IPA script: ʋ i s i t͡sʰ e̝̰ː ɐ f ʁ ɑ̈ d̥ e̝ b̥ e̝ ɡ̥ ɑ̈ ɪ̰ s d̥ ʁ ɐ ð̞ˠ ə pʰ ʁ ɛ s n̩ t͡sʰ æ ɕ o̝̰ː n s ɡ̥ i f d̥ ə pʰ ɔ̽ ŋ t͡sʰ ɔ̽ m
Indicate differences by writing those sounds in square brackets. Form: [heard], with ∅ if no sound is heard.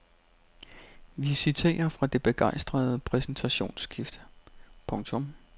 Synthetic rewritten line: ʋ i s i t͡sʰ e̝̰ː ɐ f ʁ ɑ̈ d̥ e̝ b̥ e̝ ɡ̥ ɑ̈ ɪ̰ s d̥ ʁ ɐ ð̞ˠ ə pʰ ʁ ɛ s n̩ t͡sʰ æ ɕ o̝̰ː n s ɡ̥ i f d̥ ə pʰ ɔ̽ ŋ t͡sʰ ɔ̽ m